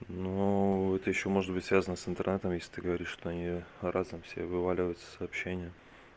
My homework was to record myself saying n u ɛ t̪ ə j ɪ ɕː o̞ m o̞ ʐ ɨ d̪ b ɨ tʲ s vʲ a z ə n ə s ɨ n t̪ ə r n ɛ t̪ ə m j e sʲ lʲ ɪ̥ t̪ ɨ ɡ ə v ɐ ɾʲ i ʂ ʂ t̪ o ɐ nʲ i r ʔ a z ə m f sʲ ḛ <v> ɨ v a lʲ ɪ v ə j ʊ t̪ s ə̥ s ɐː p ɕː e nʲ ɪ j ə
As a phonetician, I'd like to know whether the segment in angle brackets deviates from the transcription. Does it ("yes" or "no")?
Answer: no